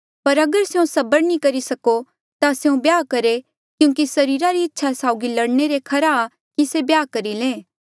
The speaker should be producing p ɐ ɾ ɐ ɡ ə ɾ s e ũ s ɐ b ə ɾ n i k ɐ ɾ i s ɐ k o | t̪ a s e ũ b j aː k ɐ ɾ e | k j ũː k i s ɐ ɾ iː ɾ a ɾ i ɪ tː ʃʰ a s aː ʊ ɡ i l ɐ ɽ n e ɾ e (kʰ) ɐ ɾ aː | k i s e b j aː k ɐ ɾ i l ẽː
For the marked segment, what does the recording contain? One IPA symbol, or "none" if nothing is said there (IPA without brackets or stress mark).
kʰ